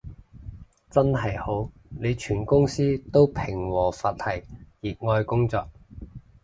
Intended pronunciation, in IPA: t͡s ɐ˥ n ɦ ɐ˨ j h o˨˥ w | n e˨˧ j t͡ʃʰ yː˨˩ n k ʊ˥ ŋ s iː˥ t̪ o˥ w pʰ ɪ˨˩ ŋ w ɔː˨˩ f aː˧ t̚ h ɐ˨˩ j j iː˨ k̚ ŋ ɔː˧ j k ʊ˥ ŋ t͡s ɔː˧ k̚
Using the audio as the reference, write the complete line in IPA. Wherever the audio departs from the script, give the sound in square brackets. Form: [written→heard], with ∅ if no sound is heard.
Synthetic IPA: t͡s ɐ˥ n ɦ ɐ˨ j h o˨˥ w | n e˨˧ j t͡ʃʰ yː˨˩ n k ʊ˥ ŋ s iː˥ t̪ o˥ w pʰ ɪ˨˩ ŋ w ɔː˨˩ f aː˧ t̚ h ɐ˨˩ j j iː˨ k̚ ŋ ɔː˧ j k ʊ˥ ŋ t͡s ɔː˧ k̚